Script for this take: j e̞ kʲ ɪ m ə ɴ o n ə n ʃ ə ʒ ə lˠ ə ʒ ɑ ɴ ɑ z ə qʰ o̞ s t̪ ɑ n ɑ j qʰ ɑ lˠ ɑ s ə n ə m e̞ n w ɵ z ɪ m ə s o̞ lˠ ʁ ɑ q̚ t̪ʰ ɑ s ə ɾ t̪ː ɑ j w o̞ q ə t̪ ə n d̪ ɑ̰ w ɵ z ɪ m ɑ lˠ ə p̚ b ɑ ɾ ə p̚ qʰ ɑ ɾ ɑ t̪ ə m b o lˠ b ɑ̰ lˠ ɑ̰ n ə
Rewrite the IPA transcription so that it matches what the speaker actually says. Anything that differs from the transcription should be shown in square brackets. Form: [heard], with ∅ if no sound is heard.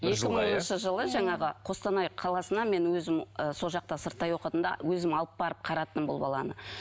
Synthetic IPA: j e̞ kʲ ɪ m ə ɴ o n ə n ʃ ə ʒ ə lˠ ə ʒ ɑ ɴ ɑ [ʁ] ə qʰ o̞ s t̪ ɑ n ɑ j qʰ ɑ lˠ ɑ s ə n [ɑ] m e̞ n w ɵ z ɪ m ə s o̞ lˠ [ʒ] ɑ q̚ [t̪] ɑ s ə ɾ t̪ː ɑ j w o̞ q ə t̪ ə n d̪ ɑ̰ w ɵ z ɪ m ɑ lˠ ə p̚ b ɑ ɾ ə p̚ qʰ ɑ ɾ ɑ t̪ ə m b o lˠ b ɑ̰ lˠ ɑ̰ n ə